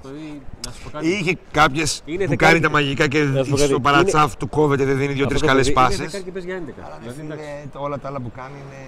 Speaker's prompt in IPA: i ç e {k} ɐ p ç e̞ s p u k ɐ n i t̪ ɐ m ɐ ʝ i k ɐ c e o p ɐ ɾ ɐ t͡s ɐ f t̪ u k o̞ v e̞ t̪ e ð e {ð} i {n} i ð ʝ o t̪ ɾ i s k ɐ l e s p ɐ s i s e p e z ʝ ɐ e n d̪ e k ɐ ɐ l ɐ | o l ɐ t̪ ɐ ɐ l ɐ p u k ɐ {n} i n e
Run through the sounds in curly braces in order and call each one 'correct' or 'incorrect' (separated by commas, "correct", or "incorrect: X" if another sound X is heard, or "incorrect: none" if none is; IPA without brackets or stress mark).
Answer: correct, correct, correct, correct